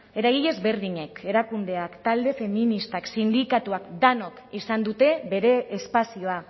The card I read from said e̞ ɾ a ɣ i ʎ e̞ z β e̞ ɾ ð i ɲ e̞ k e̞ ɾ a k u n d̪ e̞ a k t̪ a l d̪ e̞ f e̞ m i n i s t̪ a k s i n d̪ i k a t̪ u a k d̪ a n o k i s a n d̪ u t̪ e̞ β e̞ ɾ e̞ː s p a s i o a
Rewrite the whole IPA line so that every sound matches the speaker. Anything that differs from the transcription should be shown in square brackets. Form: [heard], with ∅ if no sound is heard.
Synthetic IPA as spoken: e̞ ɾ a ɣ i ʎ e̞ z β e̞ ɾ ð i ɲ e̞ k e̞ ɾ a k u n d̪ e̞ a k t̪ a l d̪ e̞ f e̞ m i n i s t̪ a k s i n d̪ i k a t̪ u a k d̪ a n o k i s a n d̪ u t̪ e̞ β e̞ ɾ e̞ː s p a s i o a